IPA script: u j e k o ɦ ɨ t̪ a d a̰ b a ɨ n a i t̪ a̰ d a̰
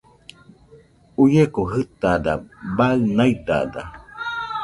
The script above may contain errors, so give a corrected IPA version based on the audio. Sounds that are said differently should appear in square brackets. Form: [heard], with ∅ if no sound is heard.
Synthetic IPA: u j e k o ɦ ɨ t̪ a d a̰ b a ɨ n a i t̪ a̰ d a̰